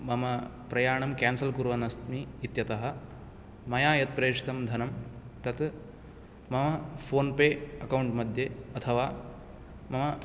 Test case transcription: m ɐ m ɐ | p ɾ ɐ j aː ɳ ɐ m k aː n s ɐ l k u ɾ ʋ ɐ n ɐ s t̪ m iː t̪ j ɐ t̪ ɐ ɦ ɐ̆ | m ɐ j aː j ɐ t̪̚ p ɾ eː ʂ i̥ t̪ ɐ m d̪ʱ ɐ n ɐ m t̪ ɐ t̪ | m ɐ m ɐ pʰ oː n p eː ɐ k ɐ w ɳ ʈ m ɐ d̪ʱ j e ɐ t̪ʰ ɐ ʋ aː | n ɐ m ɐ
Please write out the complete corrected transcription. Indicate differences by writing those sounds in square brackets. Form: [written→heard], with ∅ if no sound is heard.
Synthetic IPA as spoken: m ɐ m ɐ | p ɾ ɐ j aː ɳ ɐ m k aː n s ɐ l k u ɾ ʋ ɐ n ɐ s t̪ m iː t̪ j ɐ t̪ ɐ ɦ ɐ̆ | m ɐ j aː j ɐ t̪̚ p ɾ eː ʂ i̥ t̪ ɐ m d̪ʱ ɐ n ɐ m t̪ ɐ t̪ | m ɐ m ɐ pʰ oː n p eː ɐ k ɐ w ɳ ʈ m ɐ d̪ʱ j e ɐ t̪ʰ ɐ ʋ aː | [n→m] ɐ m ɐ